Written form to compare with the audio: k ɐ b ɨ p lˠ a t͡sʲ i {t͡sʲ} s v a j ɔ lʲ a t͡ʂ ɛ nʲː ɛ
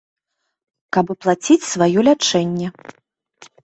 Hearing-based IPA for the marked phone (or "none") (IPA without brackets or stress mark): t͡sʲ